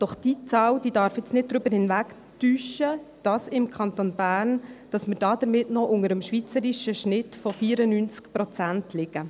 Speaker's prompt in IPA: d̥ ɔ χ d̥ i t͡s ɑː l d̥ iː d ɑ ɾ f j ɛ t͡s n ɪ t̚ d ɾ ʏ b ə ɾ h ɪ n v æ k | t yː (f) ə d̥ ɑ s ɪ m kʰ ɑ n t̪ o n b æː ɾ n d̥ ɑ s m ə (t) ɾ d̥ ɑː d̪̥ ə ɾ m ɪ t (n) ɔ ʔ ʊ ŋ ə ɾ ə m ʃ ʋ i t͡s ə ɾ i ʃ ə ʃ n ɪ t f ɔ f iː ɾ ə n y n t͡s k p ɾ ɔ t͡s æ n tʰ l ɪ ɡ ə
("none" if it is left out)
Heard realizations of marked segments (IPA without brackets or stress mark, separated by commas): ʃ, none, n